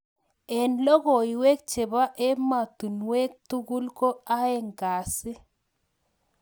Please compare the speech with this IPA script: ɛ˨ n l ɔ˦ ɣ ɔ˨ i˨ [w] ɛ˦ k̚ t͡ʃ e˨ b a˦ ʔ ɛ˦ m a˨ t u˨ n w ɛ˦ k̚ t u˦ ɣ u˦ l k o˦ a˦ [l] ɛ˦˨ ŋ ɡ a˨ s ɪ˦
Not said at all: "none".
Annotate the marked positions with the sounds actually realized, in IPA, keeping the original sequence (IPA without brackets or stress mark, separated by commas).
w, none